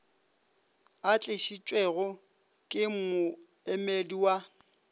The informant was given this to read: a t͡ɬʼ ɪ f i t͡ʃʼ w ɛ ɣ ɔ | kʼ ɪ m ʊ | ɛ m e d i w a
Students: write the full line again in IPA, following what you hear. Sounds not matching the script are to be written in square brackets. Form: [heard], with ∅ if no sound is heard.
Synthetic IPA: a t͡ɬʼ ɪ [ʃ] i t͡ʃʼ w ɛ ɣ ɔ | kʼ ɪ m ʊ | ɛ m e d i w a